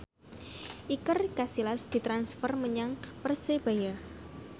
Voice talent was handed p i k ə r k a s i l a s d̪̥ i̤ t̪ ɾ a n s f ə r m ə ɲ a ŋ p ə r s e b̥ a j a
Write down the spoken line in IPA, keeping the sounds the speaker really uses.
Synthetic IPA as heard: ʔ i k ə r k a s i l a s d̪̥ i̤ t̪ ɾ a n s f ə r m ə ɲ a ŋ p ə r s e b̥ a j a